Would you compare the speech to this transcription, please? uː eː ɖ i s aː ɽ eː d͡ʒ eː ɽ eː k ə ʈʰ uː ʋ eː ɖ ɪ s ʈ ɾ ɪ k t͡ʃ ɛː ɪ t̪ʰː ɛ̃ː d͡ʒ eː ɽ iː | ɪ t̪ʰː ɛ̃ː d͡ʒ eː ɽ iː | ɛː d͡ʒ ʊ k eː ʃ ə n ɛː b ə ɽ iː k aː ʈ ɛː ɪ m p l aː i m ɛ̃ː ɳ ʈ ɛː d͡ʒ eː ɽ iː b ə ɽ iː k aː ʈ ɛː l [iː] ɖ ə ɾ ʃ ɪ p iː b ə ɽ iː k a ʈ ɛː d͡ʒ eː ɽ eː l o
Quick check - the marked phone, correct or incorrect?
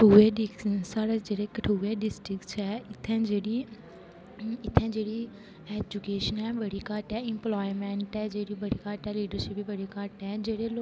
correct